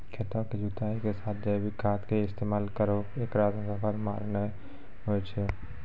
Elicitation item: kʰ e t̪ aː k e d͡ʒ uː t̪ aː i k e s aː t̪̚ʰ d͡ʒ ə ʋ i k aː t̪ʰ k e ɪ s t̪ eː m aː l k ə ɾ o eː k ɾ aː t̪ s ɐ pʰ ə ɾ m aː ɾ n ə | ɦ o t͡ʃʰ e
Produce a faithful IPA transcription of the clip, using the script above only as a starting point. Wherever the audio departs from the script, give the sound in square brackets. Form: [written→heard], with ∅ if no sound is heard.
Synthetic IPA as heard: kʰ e t̪ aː k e d͡ʒ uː t̪ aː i k e s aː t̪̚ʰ d͡ʒ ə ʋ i k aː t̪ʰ k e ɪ s t̪ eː m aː l k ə ɾ o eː k ɾ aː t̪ s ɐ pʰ ə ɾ m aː ɾ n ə | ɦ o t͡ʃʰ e

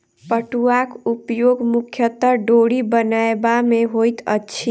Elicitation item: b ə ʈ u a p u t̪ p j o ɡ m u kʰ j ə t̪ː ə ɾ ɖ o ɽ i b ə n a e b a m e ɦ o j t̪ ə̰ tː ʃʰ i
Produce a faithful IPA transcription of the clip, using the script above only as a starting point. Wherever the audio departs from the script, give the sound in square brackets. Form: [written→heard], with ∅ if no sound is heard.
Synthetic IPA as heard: [b→p] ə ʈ u a [p→k] u [t̪→∅] p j o ɡ m u kʰ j ə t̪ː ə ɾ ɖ o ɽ i b ə n a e b a m e ɦ o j t̪ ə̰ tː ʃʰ i

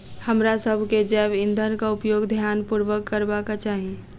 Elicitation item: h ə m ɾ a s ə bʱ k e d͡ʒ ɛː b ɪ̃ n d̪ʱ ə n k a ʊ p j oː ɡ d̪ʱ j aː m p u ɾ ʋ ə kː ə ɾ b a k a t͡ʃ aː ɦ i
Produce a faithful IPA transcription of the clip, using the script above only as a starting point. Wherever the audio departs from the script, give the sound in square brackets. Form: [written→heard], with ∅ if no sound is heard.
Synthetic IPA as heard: h ə m ɾ a s ə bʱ k e d͡ʒ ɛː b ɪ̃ n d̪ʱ ə n k a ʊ p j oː ɡ d̪ʱ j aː [m→n] p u ɾ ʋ ə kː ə ɾ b a k a t͡ʃ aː ɦ i

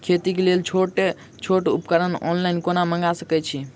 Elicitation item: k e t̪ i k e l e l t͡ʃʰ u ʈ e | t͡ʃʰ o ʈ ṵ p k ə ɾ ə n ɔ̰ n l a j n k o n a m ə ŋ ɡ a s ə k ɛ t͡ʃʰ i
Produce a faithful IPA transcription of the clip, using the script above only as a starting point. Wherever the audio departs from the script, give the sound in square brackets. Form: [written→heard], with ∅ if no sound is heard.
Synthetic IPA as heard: [k→kʰ] e t̪ i k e l e l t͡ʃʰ [u→o] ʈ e | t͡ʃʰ o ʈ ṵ p k ə ɾ ə n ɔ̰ n l a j n k o n a m ə ŋ ɡ a s ə k ɛ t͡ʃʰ i

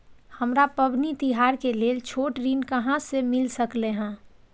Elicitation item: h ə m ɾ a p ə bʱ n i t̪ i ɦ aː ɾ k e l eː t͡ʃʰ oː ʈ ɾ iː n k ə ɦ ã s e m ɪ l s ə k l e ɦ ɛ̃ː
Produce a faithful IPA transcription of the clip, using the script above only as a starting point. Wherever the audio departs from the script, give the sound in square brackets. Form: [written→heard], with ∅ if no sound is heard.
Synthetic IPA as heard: h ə m ɾ a p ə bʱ n i t̪ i ɦ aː ɾ k e l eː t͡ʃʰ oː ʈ ɾ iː n k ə ɦ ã s e m ɪ l s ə k l e ɦ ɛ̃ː

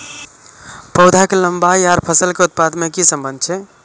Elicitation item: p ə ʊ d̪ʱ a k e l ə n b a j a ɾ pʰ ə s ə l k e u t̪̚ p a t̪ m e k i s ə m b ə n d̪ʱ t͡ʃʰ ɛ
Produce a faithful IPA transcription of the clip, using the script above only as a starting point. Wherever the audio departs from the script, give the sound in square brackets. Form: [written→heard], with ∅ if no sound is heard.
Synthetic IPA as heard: p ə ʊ d̪ʱ a k e l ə [n→m] b a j a ɾ pʰ ə s ə l k e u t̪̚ p a [t̪→d̪] m e k i s ə m b ə n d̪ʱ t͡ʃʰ ɛ

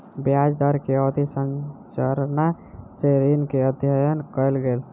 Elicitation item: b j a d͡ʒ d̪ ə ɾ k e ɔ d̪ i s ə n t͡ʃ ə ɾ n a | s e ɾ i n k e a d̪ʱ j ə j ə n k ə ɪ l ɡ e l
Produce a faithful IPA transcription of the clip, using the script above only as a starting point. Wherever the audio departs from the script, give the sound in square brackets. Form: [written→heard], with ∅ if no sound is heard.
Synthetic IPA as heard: b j a d͡ʒ d̪ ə ɾ k e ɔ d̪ i s ə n t͡ʃ ə ɾ n a | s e ɾ i n k e [a→ə] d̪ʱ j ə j ə n k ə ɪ l ɡ e l

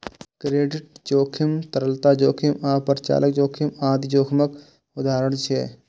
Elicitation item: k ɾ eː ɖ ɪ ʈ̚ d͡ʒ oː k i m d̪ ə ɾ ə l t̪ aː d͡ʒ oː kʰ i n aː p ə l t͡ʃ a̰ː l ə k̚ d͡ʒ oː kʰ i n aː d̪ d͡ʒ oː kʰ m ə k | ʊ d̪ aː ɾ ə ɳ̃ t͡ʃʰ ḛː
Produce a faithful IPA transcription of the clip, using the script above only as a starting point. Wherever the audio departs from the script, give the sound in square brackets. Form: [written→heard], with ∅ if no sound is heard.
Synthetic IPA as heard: k ɾ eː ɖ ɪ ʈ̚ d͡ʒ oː [k→kʰ] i m [d̪→t̪] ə ɾ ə l t̪ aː d͡ʒ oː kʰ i [n→m] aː p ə [l→ɾ] t͡ʃ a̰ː l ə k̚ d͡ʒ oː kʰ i [n→m] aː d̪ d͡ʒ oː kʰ m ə k | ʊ d̪ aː ɾ ə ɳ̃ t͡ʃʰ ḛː

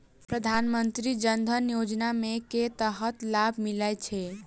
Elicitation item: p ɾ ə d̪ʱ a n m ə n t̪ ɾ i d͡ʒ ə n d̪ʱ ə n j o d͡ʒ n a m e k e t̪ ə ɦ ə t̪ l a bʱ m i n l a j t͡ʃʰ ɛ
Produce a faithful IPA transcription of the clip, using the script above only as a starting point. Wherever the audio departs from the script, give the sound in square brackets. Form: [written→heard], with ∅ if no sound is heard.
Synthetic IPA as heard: p ɾ ə d̪ʱ a n m ə n t̪ ɾ i d͡ʒ ə n d̪ʱ ə n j o d͡ʒ n a m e k e t̪ ə ɦ ə t̪ l a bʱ m i [n→∅] l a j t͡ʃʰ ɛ

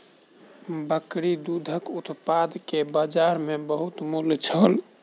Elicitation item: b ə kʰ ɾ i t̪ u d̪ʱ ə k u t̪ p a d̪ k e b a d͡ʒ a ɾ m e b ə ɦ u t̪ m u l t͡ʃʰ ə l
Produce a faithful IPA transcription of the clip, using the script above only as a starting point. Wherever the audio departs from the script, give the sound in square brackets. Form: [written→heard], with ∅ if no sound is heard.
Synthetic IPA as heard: b ə [kʰ→k] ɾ i [t̪→d̪] u d̪ʱ ə k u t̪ p a d̪ k e b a d͡ʒ a ɾ m e b ə ɦ u t̪ m u l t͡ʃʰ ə l

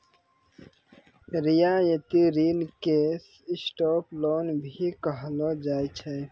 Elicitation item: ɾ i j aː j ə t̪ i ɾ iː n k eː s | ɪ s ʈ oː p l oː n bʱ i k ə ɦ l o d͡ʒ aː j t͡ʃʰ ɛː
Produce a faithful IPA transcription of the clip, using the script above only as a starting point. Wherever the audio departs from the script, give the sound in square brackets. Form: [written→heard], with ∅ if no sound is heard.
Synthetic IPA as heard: ɾ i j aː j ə t̪ i ɾ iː n k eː s | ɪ s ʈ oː p l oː n bʱ i k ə ɦ l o d͡ʒ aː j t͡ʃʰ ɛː

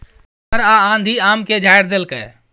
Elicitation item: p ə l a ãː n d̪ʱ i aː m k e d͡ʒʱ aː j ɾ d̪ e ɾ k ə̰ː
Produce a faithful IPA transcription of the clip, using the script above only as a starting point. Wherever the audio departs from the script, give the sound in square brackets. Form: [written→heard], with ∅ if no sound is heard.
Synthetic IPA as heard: p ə [l→ɾ] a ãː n d̪ʱ i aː m k e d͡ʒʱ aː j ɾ d̪ e [ɾ→l] k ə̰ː

